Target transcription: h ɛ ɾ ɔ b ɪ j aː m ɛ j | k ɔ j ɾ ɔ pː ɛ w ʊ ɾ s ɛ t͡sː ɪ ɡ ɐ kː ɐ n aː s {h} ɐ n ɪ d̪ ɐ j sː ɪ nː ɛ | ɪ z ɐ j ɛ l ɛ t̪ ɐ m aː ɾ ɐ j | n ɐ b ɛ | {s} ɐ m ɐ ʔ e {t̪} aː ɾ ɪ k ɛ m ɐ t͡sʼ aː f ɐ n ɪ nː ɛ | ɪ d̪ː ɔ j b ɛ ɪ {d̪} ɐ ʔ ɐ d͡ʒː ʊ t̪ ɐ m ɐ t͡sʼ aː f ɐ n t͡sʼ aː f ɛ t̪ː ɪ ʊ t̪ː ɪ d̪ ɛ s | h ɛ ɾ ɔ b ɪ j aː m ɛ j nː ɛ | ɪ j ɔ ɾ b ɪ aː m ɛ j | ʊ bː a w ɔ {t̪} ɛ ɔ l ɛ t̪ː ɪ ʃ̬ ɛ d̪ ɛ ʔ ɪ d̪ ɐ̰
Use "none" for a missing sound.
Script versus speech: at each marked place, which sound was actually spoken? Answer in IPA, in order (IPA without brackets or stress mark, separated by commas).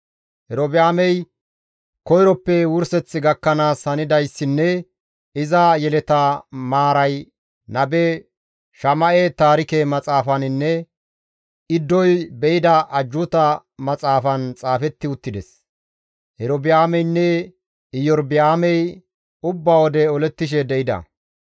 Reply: h, ʃ, t̪, d̪, d̪